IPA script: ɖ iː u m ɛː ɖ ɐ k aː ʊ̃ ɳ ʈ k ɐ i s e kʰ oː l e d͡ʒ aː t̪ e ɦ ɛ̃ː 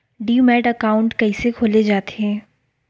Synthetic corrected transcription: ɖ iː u m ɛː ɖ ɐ k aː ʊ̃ ɳ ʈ k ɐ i s e kʰ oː l e d͡ʒ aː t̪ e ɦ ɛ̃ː